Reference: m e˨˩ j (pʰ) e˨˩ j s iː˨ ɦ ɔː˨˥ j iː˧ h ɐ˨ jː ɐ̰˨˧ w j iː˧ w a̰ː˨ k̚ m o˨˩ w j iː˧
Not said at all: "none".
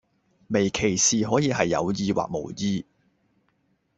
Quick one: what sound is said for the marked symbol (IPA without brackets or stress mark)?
kʰ